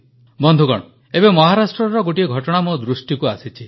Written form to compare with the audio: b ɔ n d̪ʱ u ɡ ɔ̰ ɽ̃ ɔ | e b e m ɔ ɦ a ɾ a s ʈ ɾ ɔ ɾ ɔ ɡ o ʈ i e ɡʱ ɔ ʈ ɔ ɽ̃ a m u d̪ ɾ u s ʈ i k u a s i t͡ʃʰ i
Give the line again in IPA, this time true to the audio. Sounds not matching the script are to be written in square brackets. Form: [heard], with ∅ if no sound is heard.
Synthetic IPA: b ɔ n d̪ʱ u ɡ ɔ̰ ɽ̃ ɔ | e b e m ɔ ɦ a ɾ a s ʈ ɾ ɔ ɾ ɔ ɡ o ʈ i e ɡʱ ɔ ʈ ɔ ɽ̃ a m u d̪ ɾ u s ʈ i k u a s i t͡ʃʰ i